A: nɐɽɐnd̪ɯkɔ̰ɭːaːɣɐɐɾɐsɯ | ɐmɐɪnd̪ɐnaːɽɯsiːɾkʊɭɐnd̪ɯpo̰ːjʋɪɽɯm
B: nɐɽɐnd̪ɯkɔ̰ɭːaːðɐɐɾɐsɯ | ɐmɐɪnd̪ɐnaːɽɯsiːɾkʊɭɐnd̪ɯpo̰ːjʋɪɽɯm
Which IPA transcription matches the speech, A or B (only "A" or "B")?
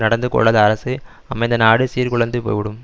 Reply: B